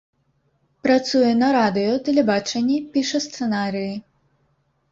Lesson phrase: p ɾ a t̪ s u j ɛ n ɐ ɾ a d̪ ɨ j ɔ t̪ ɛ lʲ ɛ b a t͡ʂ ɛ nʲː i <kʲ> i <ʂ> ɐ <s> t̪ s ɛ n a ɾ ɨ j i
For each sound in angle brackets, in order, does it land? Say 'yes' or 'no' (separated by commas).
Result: no, yes, yes